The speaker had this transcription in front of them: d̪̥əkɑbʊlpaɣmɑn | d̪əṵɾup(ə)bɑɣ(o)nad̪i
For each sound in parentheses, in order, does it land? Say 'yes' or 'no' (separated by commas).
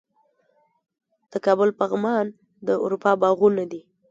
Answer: no, no